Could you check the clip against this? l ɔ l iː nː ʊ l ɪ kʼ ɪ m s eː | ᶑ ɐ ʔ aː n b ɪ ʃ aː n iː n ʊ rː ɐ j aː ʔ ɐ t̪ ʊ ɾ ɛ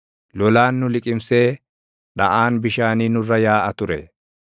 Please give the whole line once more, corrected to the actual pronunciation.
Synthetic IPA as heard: l ɔ l aː nː ʊ l ɪ kʼ ɪ m s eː | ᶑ ɐ ʔ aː n b ɪ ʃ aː n iː n ʊ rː ɐ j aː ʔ ɐ t̪ ʊ ɾ ɛ